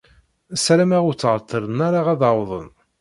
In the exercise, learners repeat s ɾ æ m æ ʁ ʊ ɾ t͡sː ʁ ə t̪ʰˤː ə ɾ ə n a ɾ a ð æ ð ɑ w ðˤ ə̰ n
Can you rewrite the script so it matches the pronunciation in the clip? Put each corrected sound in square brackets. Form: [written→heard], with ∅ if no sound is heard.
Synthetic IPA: s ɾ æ m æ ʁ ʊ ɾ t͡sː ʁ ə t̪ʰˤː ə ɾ ə n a ɾ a [ð→ʁ] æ ð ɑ w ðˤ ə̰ n